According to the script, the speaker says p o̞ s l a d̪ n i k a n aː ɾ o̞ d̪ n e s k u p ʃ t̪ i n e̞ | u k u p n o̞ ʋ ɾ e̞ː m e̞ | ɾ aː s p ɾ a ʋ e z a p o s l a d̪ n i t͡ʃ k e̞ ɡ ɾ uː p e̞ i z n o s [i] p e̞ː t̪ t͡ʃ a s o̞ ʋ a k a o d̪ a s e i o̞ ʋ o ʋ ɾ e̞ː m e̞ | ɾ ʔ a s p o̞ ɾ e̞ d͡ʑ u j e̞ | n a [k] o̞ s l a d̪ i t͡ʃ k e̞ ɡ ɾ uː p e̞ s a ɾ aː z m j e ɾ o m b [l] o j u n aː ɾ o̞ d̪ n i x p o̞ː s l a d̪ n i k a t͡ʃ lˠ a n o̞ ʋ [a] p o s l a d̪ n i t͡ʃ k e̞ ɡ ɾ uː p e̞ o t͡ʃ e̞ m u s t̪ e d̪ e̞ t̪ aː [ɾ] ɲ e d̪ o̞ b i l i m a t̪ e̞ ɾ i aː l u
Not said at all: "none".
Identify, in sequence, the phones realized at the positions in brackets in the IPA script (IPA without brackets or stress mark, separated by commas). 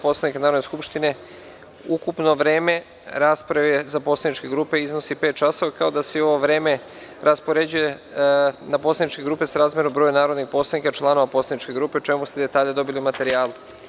i, p, ɾ, a, ʎ